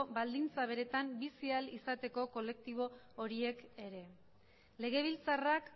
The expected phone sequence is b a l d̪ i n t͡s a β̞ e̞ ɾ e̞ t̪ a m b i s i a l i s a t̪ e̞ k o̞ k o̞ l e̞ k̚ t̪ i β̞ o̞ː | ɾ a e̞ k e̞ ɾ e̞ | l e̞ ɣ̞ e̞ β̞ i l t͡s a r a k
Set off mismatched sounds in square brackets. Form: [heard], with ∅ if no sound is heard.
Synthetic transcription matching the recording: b a l d̪ i n t͡s a β̞ e̞ ɾ e̞ t̪ a m b i s i a l i s a t̪ e̞ k o̞ k o̞ l e̞ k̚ t̪ i β̞ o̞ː | ɾ [i] e̞ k e̞ ɾ e̞ | l e̞ ɣ̞ e̞ β̞ i l t͡s a r a k